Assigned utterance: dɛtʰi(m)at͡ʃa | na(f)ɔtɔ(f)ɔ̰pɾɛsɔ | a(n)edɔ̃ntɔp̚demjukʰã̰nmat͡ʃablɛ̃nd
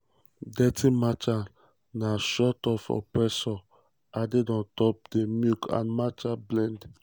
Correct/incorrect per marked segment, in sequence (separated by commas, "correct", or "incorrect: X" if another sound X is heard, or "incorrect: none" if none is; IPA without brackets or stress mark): correct, incorrect: ʃ, correct, incorrect: d